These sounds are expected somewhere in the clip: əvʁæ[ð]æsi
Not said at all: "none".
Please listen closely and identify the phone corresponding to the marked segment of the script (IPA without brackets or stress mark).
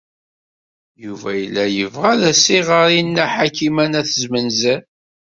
ð